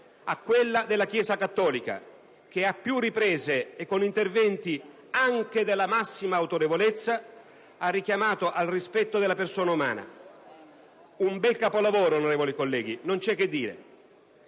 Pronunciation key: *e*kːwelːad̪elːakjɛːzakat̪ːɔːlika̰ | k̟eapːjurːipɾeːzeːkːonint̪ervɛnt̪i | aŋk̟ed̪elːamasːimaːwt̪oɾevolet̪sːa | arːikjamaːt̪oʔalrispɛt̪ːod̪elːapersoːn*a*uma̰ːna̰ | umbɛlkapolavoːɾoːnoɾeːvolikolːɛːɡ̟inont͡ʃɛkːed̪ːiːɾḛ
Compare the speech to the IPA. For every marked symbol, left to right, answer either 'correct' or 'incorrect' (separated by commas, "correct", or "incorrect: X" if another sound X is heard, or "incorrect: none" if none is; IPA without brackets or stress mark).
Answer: incorrect: a, correct